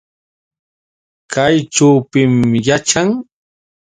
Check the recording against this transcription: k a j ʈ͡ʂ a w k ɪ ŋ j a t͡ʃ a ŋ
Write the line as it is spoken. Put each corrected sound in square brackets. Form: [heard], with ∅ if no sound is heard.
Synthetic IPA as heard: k a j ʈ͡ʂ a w [p] ɪ [m] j a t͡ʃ a ŋ